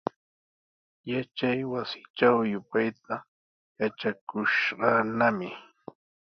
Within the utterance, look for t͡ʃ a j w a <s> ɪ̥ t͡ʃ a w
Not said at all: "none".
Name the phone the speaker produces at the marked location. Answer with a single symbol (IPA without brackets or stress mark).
s